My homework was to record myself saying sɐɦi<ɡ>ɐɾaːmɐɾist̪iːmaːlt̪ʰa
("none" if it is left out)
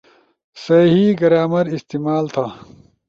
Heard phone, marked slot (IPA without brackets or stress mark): ɡ